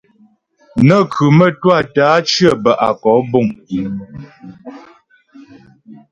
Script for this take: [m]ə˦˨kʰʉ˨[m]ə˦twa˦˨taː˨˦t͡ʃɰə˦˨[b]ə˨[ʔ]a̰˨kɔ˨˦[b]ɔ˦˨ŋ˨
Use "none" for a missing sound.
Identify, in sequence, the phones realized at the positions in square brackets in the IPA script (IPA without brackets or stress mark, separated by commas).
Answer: n, m, b, ʔ, b